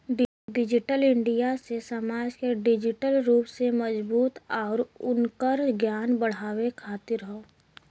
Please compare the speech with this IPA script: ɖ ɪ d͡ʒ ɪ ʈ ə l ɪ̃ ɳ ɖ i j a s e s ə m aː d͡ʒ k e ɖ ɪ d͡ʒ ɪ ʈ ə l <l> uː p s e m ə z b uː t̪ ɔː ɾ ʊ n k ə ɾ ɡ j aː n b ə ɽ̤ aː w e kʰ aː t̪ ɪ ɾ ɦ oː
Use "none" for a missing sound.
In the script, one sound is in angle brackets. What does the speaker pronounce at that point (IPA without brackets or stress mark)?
ɾ